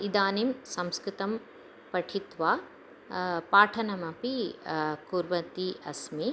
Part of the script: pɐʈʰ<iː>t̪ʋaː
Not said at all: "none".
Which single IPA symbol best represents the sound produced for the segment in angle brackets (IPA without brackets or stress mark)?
i